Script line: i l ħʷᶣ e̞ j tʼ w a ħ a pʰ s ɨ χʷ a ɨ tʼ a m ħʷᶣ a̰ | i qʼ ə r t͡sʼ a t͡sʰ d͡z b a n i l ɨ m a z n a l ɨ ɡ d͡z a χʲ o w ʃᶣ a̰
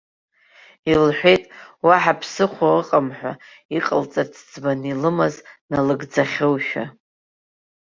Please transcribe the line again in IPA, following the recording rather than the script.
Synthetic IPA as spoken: i l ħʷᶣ e̞ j tʼ w a ħ a pʰ s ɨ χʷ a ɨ qʼ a m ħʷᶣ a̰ | i qʼ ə l t͡sʼ a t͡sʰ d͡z b a n i l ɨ m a z n a l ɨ ɡ d͡z a χʲ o w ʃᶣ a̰